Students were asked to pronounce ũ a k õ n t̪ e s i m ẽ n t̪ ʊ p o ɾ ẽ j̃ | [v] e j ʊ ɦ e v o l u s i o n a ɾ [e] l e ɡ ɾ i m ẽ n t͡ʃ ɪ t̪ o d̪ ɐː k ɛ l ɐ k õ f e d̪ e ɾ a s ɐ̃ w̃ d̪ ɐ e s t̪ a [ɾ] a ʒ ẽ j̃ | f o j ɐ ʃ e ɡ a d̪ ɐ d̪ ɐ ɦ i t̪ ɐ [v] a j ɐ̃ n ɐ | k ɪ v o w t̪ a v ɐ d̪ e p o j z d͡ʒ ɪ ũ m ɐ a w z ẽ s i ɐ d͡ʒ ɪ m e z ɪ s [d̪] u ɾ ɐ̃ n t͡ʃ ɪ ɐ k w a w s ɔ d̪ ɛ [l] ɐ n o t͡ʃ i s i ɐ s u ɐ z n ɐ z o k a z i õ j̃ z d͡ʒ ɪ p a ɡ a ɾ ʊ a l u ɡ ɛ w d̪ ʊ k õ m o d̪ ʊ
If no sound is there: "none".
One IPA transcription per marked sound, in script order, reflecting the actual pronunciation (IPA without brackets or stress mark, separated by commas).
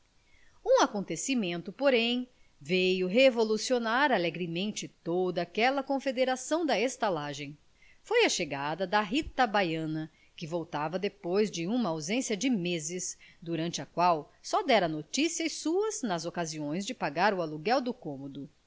v, a, l, b, d̪, ɾ